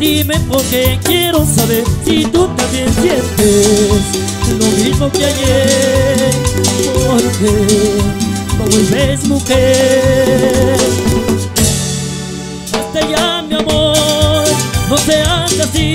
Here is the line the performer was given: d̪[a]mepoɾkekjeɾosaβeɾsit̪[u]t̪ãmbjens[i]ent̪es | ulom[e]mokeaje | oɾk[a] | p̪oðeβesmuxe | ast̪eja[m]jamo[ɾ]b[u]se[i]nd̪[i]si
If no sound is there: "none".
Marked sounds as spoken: i, u, j, i, e, m, ɾ, o, a, a

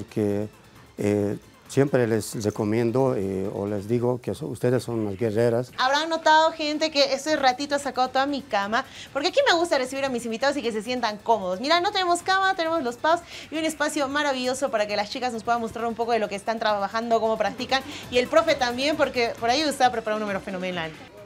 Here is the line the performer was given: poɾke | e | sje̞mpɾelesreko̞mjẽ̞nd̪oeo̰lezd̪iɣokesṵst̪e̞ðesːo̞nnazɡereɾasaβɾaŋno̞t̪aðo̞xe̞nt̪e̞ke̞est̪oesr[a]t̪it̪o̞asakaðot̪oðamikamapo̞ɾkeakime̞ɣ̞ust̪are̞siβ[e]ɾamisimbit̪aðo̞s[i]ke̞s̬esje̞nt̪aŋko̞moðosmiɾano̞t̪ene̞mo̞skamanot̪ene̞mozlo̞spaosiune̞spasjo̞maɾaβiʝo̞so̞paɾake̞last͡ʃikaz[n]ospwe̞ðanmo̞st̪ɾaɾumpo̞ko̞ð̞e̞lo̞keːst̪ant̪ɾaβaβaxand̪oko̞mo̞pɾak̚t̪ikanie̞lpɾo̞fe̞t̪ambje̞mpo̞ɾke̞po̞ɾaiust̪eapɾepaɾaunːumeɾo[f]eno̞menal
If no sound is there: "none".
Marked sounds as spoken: a, i, i, n, f

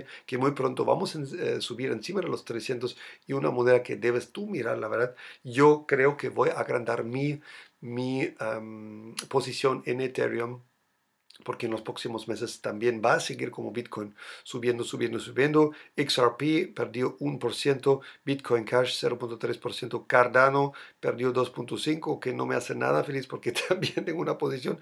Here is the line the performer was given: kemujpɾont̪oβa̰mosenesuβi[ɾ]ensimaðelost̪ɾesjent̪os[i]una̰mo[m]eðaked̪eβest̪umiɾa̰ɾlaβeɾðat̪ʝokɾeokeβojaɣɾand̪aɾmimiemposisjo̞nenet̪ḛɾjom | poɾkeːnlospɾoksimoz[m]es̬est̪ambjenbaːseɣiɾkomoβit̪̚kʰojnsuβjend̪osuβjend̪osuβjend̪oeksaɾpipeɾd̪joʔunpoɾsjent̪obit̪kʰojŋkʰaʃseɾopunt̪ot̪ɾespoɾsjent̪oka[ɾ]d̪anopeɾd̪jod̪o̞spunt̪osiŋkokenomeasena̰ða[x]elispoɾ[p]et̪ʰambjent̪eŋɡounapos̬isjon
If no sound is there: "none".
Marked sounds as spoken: ɾ, i, n, m, ɾ, f, k

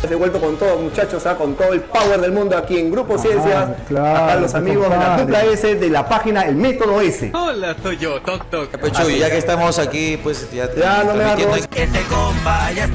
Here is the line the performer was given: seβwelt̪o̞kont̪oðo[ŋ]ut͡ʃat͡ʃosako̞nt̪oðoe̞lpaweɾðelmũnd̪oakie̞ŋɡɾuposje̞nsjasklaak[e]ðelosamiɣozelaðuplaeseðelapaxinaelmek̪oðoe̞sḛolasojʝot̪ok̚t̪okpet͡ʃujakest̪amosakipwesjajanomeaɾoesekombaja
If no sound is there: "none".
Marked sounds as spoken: m, a

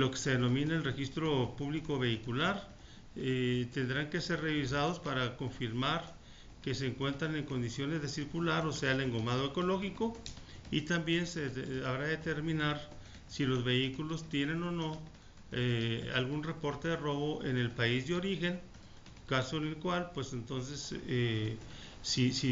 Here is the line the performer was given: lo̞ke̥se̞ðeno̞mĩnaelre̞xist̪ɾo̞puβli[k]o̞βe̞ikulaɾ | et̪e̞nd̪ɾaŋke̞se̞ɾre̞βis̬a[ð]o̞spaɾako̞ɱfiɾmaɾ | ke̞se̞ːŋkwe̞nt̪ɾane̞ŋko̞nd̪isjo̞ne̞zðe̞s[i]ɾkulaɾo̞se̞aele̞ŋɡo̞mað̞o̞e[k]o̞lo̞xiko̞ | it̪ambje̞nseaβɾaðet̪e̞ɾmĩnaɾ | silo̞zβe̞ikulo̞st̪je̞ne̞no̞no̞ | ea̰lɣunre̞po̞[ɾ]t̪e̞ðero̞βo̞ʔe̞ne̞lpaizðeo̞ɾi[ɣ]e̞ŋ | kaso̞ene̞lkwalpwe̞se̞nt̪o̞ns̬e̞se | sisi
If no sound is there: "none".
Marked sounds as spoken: k, ð, i, k, ɾ, x

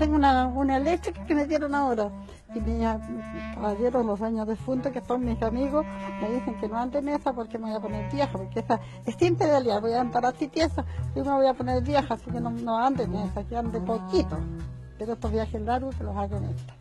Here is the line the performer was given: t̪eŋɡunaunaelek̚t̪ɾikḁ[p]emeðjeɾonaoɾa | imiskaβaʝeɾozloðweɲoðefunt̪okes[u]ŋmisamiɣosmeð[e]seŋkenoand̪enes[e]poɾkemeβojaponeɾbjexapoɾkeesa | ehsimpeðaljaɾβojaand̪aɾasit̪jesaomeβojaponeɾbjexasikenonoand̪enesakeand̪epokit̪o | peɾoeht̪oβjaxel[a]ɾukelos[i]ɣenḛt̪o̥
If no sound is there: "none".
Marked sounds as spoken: k, o, i, a, a, a

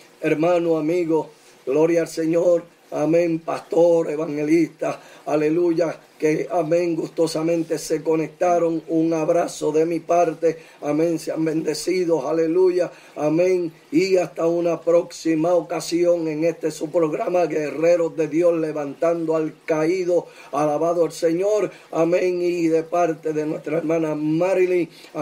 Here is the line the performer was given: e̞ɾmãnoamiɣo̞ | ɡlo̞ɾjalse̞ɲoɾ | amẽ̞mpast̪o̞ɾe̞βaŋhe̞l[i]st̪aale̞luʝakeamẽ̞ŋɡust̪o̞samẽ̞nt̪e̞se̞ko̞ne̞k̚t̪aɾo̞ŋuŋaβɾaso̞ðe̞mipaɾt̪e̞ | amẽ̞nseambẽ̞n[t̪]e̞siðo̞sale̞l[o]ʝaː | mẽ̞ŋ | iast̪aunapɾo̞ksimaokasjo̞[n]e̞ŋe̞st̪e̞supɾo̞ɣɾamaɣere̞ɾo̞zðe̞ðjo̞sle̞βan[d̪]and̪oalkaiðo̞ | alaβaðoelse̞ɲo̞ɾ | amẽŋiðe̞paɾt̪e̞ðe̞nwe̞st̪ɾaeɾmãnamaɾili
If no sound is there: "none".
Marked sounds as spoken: i, d̪, u, ŋ, t̪

